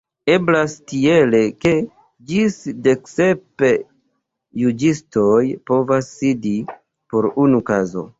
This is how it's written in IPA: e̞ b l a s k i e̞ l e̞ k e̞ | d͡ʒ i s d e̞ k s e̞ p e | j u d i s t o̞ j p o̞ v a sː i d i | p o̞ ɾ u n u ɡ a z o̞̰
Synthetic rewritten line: e̞ b l a s t i e̞ l e̞ k e̞ | d͡ʒ i s d e̞ k s e̞ p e | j u d͡ʒ i s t o̞ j p o̞ v a sː i d i | p o̞ ɾ u n u k a z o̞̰